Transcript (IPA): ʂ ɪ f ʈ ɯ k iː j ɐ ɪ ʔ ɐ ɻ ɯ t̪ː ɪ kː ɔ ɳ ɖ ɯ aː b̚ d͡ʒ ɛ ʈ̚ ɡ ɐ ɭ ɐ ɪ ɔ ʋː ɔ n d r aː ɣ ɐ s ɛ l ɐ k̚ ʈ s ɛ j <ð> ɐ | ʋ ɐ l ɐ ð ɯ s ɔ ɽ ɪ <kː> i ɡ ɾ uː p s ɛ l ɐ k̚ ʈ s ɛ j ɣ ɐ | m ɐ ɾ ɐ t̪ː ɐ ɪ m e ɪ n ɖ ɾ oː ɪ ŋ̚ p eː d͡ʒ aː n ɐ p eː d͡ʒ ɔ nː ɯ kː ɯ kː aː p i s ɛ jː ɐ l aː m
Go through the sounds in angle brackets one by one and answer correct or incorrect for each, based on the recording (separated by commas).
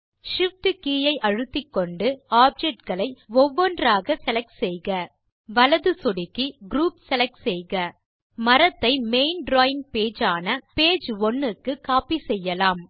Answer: incorrect, correct